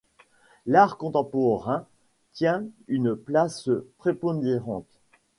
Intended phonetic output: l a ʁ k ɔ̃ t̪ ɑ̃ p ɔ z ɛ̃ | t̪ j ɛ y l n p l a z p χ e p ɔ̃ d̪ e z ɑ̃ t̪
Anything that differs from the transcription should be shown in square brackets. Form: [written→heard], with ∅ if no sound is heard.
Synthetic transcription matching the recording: l a ʁ k ɔ̃ t̪ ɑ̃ p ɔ [z→ʁ] ɛ̃ | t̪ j [ɛ→ɛ̃] y [l→∅] n p l a [z→s] p χ e p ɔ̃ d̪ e [z→ʁ] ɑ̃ t̪